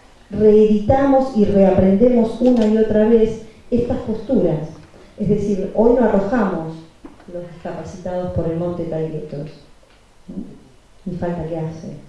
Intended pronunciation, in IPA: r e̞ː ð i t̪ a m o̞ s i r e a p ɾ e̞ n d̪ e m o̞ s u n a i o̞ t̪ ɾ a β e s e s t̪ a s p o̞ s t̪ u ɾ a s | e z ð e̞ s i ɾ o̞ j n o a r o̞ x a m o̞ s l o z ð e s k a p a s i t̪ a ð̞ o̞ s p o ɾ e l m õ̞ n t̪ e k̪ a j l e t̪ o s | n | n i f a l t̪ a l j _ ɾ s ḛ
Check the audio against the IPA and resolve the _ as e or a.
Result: a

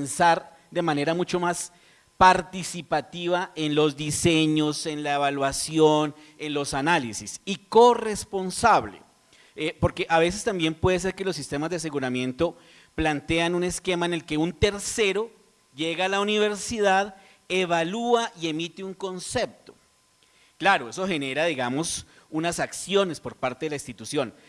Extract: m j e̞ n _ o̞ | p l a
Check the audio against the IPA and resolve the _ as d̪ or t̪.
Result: t̪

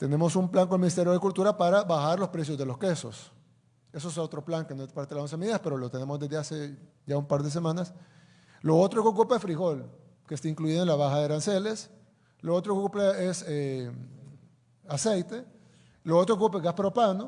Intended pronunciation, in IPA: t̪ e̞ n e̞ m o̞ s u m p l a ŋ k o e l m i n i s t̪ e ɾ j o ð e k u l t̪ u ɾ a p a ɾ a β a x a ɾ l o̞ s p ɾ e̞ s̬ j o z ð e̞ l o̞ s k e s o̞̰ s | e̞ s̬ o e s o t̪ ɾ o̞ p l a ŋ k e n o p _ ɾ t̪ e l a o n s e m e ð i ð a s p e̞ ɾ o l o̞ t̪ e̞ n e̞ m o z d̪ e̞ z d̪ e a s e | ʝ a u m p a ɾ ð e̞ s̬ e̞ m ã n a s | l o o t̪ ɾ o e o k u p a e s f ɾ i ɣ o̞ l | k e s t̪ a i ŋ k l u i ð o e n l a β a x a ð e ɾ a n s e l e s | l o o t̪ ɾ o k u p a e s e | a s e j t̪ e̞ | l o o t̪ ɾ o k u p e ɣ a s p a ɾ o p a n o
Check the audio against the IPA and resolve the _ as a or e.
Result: a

